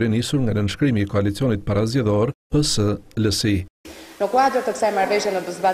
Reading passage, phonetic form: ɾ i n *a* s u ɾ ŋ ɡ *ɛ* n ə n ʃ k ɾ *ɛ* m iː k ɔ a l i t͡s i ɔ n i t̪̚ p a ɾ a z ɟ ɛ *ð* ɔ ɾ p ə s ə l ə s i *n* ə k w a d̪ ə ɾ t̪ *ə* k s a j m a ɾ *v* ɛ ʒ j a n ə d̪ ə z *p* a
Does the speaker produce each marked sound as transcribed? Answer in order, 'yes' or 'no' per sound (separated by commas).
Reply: no, no, no, yes, yes, yes, yes, no